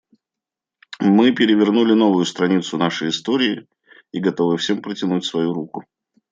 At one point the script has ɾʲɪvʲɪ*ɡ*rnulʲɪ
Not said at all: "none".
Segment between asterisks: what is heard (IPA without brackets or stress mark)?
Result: none